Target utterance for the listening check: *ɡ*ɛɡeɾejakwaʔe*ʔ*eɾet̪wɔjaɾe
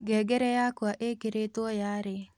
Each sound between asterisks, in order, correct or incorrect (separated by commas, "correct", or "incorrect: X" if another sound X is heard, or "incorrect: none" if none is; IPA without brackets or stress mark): correct, incorrect: k